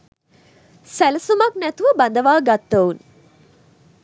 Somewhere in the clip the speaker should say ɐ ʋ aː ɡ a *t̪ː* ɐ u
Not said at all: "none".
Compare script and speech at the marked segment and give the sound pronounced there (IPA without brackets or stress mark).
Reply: t̪ː